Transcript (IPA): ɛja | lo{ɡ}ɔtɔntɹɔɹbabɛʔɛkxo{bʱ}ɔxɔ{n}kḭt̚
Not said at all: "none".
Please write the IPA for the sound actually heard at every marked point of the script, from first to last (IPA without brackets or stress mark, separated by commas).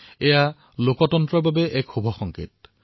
k, bʱ, ŋ